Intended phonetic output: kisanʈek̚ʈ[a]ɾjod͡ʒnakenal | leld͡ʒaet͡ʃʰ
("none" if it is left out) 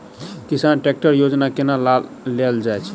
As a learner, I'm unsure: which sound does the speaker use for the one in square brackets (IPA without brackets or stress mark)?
ə